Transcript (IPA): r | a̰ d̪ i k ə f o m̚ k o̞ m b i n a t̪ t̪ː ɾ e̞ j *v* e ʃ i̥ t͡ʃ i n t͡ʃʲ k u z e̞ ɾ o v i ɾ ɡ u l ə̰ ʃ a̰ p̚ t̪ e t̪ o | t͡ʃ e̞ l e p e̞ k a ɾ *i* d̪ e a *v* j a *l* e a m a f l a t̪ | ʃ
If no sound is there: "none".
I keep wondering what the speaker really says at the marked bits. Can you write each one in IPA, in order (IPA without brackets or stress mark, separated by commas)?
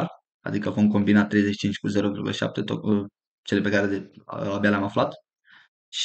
z, e, b, l